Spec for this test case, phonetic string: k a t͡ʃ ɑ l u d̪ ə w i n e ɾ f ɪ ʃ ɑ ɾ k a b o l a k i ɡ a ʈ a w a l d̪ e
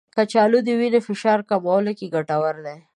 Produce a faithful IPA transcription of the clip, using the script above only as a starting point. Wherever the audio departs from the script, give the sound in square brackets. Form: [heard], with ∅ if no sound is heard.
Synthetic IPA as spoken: k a t͡ʃ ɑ l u d̪ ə w i n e [∅] f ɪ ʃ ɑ ɾ k a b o l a k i ɡ a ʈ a w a [ɾ] d̪ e